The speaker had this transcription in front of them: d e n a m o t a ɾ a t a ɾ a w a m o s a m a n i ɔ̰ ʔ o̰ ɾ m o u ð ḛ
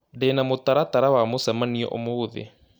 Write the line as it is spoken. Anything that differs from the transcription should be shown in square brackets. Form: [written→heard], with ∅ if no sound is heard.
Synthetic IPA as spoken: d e n a m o t a ɾ a t a ɾ a w a m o s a m a n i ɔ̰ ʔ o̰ [ɾ→∅] m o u ð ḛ